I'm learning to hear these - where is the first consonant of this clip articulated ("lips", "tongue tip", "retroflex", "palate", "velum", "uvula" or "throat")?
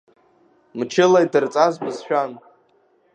lips